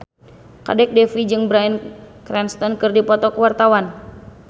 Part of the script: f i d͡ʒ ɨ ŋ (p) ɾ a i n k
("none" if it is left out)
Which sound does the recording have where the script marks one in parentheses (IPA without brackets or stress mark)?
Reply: b